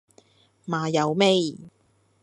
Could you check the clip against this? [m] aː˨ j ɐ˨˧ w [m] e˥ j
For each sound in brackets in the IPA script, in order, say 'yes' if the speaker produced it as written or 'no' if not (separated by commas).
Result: yes, yes